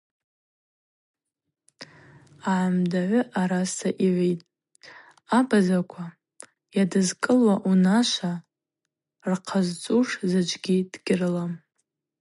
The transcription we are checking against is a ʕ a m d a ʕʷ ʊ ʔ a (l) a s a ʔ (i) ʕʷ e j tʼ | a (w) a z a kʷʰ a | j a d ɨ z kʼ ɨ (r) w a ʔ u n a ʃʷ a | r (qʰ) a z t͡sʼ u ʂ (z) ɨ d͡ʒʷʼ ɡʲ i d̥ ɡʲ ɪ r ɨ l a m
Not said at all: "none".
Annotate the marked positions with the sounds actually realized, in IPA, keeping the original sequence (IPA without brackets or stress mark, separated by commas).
ɾ, i, b, l, qʰ, z